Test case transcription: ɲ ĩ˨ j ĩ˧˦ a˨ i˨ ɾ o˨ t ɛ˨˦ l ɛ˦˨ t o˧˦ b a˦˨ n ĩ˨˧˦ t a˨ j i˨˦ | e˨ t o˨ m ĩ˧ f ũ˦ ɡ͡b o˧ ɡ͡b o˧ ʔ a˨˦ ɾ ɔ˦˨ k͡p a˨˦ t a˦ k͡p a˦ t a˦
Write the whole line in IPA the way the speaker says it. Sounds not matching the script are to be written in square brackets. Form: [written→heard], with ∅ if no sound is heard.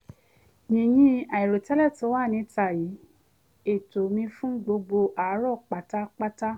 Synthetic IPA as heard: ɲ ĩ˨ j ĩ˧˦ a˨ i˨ ɾ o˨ t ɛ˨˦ l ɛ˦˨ t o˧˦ [b→w] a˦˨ n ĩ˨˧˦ t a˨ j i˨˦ | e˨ t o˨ m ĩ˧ f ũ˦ ɡ͡b o˧ ɡ͡b o˧ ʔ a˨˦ ɾ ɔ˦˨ k͡p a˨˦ t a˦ k͡p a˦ t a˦

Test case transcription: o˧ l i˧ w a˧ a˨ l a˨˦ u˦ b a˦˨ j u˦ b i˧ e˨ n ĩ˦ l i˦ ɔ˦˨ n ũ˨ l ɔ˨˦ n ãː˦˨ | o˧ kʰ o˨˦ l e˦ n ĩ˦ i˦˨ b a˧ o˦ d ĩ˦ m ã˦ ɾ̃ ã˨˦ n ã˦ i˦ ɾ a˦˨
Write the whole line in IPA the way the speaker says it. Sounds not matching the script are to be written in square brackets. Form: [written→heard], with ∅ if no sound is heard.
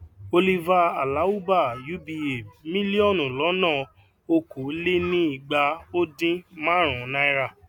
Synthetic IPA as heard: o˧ l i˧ [w→v] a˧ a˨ l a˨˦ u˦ b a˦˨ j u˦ b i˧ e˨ [n→m] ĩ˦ l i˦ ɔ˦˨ n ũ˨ l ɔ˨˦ n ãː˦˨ | o˧ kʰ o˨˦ l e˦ n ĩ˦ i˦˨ [b→ɡ͡b] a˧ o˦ d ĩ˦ m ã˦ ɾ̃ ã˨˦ n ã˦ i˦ ɾ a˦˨

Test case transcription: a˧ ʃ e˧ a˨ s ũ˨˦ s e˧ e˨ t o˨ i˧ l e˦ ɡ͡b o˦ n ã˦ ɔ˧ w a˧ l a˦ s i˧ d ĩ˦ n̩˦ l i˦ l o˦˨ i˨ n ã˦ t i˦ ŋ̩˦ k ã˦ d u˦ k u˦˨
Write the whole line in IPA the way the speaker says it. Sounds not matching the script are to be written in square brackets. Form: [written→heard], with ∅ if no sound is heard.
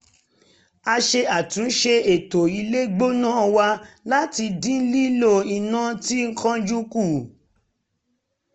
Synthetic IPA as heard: a˧ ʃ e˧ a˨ [s→t] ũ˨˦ [s→ʃ] e˧ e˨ t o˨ i˧ l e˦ ɡ͡b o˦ n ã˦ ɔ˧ w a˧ l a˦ [s→t] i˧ d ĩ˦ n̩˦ l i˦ l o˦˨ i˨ n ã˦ t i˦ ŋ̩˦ k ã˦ [d→d͡ʒ] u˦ k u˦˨

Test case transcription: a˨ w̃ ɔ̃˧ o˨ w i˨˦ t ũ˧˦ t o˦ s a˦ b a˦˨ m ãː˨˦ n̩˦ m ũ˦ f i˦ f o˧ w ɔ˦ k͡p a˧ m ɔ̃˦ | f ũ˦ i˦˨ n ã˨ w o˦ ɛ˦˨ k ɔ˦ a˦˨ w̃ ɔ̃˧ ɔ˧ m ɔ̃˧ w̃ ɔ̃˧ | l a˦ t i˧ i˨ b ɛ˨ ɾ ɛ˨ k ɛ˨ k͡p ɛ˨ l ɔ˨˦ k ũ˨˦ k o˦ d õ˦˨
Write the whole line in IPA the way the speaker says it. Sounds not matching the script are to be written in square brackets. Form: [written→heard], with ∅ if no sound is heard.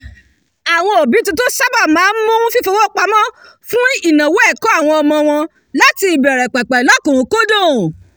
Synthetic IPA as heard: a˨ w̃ ɔ̃˧ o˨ [w→b] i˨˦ t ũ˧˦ t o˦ s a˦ b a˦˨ m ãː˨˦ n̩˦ m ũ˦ f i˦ f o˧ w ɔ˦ k͡p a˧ m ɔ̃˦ | f ũ˦ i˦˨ n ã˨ w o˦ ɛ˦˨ k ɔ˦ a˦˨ w̃ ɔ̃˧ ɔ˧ m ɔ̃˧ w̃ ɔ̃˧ | l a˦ t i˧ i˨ b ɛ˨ ɾ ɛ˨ [k→k͡p] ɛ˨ k͡p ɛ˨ l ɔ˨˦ k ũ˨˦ k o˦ d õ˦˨

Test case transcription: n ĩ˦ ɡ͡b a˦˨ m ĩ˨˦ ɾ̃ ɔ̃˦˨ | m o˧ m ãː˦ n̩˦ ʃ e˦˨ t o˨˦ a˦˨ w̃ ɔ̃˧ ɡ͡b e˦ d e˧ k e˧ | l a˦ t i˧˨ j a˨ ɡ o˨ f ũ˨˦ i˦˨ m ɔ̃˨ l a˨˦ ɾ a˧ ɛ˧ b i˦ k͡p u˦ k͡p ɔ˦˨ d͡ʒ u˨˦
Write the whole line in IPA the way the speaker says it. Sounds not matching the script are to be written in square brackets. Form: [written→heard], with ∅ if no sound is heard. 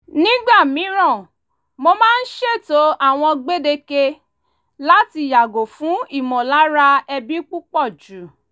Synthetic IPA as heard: n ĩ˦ ɡ͡b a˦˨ m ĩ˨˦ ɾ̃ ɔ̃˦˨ | m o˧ m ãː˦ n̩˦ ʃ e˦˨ t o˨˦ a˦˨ w̃ ɔ̃˧ ɡ͡b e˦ d e˧ k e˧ | l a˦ t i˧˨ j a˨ ɡ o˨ f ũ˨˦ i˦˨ m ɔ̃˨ l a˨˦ ɾ a˧ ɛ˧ b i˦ k͡p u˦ k͡p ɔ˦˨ d͡ʒ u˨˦

